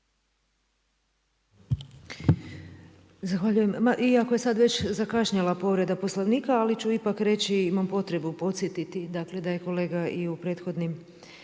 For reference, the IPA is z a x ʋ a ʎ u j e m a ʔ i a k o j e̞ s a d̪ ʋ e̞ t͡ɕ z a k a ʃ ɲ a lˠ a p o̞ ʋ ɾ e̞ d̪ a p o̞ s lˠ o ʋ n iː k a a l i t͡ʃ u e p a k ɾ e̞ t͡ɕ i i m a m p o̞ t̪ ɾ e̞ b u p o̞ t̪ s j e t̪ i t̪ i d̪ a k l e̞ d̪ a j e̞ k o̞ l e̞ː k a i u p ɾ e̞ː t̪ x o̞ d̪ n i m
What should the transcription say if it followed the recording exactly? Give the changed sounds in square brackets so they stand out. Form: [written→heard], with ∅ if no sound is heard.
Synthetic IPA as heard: z a x ʋ a ʎ u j e m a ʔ i a k o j e̞ s a d̪ ʋ e̞ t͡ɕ z a k a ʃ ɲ a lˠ a p o̞ ʋ ɾ e̞ d̪ a p o̞ s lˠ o ʋ n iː k a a l i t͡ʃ u [e→i] p a k ɾ e̞ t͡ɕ i i m a m p o̞ t̪ ɾ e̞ b u p o̞ t̪ s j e t̪ i t̪ i d̪ a k l e̞ d̪ a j e̞ k o̞ l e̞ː [k→ɡ] a i u p ɾ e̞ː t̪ x o̞ d̪ n i m